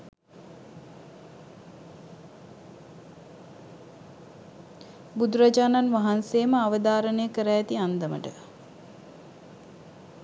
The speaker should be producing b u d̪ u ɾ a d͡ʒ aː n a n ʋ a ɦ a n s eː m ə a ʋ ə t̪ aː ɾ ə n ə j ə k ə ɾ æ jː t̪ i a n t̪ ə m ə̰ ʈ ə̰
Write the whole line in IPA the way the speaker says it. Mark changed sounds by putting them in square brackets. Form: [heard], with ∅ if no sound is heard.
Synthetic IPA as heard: b u d̪ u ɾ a d͡ʒ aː n a n ʋ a ɦ a n s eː m ə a ʋ ə [d̪] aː ɾ ə n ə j ə k ə ɾ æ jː t̪ i a n [d̪] ə m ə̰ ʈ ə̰